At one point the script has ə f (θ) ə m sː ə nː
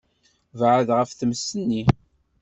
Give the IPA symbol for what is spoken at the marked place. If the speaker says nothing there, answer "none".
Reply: θ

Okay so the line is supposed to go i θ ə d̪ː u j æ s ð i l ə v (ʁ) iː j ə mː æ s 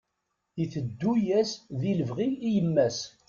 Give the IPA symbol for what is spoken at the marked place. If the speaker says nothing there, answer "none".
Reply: ʁ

